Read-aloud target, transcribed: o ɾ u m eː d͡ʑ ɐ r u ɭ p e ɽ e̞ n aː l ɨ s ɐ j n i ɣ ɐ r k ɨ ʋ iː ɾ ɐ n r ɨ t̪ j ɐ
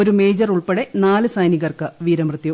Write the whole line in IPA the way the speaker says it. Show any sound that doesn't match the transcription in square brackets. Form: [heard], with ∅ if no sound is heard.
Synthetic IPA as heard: o ɾ u m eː d͡ʑ ɐ r u ɭ p e ɽ e̞ n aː l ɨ s ɐ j n i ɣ ɐ r k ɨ ʋ iː ɾ ɐ [m] r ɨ t̪ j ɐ